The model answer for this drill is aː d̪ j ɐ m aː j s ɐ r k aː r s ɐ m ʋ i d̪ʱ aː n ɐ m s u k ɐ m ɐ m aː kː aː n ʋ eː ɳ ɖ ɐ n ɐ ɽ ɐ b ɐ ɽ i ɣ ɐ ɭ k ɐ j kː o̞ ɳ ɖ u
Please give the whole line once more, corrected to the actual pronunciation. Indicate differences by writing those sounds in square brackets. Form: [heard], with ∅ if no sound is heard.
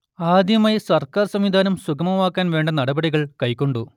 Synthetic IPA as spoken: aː d̪ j ɐ m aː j s ɐ r k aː r s ɐ m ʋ i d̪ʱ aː n ɐ m s u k ɐ m ɐ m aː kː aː n ʋ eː ɳ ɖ ɐ n ɐ ɽ ɐ b ɐ ɽ i ɣ ɐ ɭ k ɐ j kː o̞ ɳ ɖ u